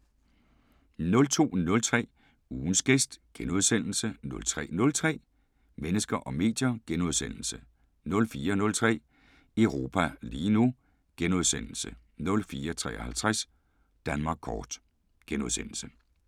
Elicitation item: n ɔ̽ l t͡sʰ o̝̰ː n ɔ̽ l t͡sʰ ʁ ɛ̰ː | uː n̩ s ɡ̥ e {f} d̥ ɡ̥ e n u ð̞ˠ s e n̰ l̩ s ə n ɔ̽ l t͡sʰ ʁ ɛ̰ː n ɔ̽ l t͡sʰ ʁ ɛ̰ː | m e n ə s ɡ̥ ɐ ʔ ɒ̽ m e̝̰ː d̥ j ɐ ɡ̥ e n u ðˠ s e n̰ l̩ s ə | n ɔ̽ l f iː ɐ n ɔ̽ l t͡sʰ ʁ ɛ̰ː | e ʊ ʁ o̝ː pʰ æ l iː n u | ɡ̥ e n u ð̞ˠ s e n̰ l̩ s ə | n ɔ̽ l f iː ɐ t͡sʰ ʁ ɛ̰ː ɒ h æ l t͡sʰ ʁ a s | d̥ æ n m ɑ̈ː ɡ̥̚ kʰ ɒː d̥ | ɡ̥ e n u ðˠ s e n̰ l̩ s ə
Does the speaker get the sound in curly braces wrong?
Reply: yes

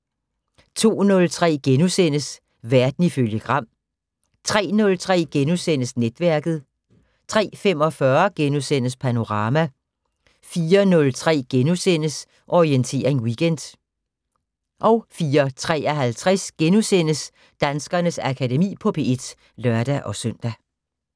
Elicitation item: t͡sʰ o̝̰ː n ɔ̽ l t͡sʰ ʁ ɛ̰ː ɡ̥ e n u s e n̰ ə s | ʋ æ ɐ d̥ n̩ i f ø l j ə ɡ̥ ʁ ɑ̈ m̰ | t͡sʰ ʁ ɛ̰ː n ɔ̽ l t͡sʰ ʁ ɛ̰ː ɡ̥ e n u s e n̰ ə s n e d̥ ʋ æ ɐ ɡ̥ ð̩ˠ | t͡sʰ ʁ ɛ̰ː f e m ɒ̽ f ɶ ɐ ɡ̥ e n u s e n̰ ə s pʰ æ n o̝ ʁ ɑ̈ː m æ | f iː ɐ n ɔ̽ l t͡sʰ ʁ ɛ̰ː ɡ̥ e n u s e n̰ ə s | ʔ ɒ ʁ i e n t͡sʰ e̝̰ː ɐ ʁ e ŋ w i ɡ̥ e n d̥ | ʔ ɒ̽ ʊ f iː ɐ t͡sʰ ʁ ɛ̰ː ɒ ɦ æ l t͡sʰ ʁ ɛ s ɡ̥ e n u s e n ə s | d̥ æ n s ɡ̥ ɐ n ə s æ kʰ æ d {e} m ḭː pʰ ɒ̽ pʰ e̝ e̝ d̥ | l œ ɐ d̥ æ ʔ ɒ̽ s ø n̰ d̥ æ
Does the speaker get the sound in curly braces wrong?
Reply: no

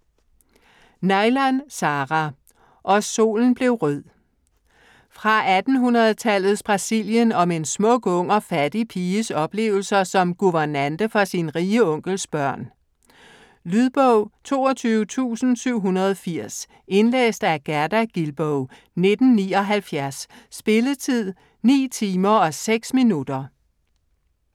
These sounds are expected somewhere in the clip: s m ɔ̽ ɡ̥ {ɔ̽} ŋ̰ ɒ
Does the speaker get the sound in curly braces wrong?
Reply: no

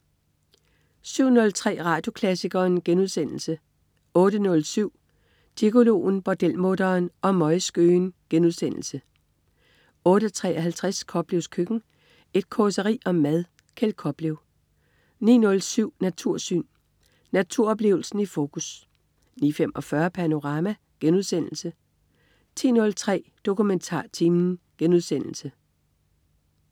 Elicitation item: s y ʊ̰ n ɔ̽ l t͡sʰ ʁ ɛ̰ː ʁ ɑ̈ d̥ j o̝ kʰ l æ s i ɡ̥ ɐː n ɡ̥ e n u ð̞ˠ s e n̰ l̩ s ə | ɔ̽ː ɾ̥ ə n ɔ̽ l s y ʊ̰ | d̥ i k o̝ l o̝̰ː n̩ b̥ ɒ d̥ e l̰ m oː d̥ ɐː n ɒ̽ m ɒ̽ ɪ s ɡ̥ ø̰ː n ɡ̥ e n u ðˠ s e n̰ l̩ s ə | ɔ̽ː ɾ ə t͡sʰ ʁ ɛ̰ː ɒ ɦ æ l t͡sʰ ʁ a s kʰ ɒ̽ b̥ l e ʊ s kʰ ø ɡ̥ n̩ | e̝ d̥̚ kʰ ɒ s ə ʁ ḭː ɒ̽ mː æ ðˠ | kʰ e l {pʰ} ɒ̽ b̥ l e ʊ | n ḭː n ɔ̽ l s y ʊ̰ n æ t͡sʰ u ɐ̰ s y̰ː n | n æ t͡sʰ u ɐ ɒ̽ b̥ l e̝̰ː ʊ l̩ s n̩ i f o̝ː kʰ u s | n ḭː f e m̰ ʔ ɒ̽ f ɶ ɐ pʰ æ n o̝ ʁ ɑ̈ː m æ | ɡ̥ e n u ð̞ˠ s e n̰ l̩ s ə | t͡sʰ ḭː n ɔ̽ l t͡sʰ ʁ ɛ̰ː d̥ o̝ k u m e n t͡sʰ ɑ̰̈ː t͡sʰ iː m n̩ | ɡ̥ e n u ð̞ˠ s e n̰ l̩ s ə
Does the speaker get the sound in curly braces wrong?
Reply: yes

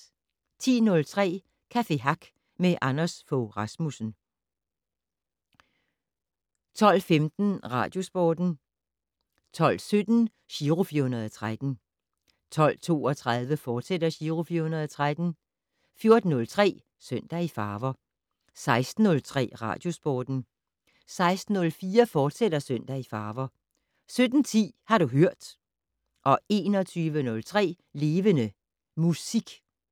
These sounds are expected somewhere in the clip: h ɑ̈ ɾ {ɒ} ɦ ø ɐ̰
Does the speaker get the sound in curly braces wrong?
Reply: yes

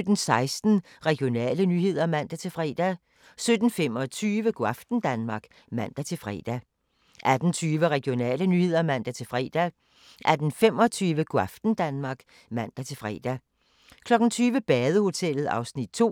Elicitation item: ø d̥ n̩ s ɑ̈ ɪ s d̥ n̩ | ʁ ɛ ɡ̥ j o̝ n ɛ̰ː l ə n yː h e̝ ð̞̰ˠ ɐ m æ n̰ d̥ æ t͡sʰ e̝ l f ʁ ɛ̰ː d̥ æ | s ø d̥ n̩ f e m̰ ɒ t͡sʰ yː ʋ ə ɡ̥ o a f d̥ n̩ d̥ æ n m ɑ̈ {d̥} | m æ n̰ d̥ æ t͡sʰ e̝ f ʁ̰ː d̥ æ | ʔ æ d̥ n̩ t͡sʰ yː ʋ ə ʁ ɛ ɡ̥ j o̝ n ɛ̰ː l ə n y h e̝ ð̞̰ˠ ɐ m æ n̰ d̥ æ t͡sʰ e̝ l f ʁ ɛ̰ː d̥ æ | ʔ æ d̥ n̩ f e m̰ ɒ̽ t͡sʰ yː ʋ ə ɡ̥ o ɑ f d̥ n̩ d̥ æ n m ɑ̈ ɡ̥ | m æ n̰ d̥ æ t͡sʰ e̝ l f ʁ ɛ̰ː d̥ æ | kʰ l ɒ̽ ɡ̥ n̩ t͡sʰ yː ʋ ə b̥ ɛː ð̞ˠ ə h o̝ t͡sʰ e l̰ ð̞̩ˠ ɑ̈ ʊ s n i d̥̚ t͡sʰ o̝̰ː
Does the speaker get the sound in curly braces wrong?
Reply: yes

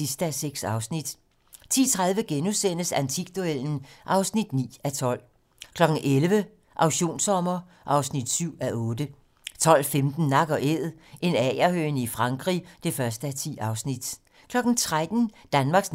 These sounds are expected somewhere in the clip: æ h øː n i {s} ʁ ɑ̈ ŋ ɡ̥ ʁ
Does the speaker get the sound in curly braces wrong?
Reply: yes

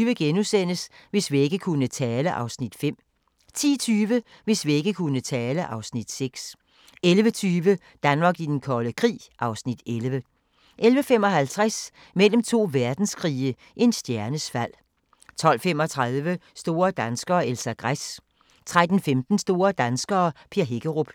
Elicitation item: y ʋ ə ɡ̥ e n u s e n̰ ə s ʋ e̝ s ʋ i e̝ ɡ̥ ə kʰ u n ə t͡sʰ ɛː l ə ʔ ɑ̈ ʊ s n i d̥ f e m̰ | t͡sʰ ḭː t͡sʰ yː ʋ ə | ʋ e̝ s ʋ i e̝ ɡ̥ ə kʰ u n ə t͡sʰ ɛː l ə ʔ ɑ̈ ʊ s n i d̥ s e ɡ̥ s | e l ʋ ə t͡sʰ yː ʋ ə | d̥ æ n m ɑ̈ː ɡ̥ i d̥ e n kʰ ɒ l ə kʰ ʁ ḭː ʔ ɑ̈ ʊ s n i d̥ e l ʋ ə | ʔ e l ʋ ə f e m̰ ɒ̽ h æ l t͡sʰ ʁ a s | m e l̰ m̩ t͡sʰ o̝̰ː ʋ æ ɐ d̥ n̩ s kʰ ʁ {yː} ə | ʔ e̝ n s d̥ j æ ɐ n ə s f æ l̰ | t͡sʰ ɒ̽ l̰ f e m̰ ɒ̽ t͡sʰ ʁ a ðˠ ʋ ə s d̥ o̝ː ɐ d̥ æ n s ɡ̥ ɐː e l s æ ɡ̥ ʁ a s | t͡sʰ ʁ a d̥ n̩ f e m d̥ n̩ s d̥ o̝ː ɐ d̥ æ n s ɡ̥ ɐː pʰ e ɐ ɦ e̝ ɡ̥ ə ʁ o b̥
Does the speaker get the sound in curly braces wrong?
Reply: yes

